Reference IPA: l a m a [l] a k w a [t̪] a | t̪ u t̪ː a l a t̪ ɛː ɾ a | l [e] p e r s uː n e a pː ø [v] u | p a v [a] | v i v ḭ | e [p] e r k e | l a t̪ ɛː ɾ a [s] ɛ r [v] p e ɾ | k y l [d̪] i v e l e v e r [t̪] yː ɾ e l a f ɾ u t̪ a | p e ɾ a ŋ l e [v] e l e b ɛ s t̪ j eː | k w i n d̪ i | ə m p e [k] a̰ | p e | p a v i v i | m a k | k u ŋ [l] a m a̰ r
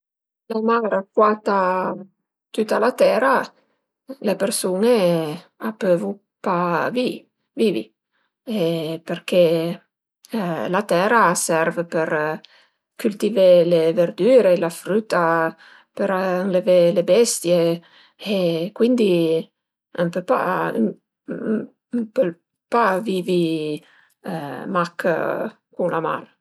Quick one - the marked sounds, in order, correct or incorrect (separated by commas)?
incorrect, correct, correct, correct, incorrect, correct, correct, correct, incorrect, incorrect, correct, incorrect, correct